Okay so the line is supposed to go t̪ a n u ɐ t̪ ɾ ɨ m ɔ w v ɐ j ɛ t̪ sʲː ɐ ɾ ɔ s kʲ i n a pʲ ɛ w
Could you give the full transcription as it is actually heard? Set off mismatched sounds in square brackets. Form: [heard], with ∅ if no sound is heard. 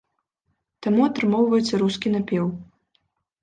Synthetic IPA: t̪ a [m] u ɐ t̪ ɾ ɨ m ɔ w v ɐ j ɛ t̪ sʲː ɐ ɾ [u] s kʲ i n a pʲ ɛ w